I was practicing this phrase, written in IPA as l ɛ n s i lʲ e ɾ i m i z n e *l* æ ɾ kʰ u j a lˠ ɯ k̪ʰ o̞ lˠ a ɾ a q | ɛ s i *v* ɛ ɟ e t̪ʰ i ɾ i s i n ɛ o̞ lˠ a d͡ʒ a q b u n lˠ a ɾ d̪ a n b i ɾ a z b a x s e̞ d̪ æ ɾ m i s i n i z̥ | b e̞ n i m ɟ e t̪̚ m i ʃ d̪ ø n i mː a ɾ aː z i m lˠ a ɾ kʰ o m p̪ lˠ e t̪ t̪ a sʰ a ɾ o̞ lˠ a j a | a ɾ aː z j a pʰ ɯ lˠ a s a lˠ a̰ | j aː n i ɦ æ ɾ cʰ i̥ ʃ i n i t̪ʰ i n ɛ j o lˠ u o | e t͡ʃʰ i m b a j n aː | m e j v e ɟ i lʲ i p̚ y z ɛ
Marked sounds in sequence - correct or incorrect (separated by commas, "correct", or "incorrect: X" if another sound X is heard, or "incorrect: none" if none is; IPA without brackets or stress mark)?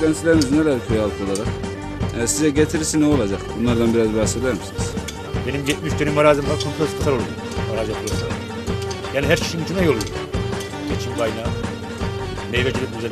correct, incorrect: z